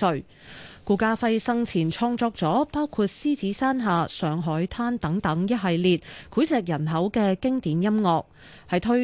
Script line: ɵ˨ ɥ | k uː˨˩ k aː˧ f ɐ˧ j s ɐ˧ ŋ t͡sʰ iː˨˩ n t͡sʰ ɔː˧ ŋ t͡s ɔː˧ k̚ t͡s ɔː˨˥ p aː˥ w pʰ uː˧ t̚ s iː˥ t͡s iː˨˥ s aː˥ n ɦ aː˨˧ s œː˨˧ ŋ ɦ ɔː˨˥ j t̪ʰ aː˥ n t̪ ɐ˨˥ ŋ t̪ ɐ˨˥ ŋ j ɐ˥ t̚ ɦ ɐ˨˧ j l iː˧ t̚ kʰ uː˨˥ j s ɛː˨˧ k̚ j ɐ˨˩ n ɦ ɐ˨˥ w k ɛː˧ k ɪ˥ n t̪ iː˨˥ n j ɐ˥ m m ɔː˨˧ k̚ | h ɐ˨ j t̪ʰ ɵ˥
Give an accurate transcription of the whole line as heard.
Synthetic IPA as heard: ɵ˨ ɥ | k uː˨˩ k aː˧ f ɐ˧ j s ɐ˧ ŋ t͡sʰ iː˨˩ n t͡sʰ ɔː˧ ŋ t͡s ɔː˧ k̚ t͡s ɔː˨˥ p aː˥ w kʰ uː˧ t̚ s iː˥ t͡s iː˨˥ s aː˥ n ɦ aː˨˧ s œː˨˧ ŋ ɦ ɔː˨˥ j t̪ʰ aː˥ n t̪ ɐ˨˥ ŋ t̪ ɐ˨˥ ŋ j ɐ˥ t̚ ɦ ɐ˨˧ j l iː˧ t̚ kʰ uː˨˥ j s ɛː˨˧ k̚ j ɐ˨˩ n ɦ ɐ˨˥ w k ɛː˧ k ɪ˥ ŋ t̪ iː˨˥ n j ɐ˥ m ŋ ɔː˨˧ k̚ | h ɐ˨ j t̪ʰ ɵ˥